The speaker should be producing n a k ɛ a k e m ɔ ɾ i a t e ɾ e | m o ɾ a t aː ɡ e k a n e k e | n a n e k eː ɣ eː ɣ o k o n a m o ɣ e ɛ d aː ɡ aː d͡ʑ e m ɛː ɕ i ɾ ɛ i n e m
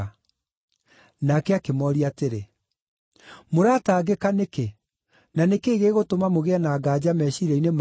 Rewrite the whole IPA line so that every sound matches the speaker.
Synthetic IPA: n a k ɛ a k e m ɔ ɾ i a t e ɾ e | m o ɾ a t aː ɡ e k a n e k e | n a n e k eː ɣ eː ɣ o t o m a m o ɣ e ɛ n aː ɡ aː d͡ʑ a m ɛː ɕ i ɾ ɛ i n e m